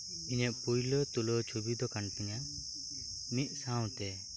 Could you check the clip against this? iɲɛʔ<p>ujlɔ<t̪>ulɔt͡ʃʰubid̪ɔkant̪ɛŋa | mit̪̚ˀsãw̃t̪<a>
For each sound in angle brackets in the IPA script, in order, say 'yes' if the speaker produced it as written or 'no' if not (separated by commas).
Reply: yes, yes, no